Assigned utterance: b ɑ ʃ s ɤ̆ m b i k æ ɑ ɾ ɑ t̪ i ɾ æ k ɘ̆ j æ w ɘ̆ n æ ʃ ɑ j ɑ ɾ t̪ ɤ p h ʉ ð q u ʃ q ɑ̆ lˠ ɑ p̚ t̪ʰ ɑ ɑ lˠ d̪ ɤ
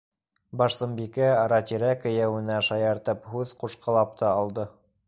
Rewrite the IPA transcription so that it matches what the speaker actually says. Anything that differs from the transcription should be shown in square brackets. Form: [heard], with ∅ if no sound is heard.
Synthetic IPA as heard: b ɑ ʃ s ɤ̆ m b i k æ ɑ ɾ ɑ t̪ i ɾ æ k ɘ̆ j æ w ɘ̆ n æ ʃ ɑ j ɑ ɾ t̪ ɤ p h ʉ ð q u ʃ q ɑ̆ lˠ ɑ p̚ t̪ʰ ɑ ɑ lˠ d̪ ɤ